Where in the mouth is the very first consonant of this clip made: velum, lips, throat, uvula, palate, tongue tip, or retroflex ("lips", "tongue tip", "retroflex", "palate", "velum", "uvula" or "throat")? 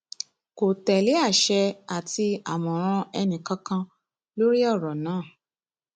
velum